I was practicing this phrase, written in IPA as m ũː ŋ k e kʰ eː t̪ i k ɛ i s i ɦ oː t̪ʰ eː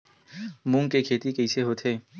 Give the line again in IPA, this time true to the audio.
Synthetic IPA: m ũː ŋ k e kʰ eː t̪ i k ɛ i s e ɦ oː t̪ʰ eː